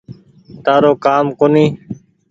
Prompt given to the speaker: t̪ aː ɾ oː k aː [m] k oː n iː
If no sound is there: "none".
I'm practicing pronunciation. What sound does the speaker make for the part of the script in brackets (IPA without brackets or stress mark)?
m